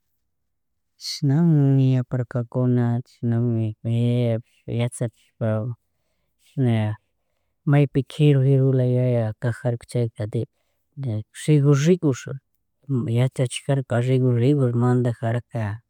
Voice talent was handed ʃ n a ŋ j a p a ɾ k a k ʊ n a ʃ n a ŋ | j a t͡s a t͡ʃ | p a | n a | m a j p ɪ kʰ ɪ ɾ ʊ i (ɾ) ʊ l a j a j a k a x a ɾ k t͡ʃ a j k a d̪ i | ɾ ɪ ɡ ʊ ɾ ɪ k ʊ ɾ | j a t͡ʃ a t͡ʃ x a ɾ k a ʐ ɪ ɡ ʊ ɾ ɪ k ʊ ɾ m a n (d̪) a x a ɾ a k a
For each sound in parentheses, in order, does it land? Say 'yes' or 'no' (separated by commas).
yes, yes